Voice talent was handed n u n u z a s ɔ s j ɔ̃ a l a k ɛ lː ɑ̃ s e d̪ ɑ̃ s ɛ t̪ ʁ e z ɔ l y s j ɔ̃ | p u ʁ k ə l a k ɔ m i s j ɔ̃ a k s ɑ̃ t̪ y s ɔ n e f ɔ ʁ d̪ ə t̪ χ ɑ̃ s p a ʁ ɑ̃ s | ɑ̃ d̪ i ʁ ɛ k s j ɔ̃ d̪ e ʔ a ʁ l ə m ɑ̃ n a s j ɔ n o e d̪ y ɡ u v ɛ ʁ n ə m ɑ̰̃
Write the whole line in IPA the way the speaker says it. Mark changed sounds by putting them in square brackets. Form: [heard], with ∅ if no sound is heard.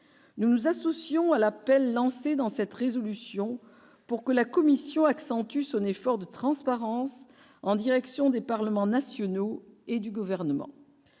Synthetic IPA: n u n u z a s ɔ s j ɔ̃ a l a [p] ɛ lː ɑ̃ s e d̪ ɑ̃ s ɛ t̪ ʁ e z ɔ l y s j ɔ̃ | p u ʁ k ə l a k ɔ m i s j ɔ̃ a k s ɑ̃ t̪ y s [ɔ̃] n e f ɔ ʁ d̪ ə t̪ χ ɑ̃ s p a ʁ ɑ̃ s | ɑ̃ d̪ i ʁ ɛ k s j ɔ̃ d̪ e [p] a ʁ l ə m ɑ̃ n a s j ɔ n o e d̪ y ɡ u v ɛ ʁ n ə m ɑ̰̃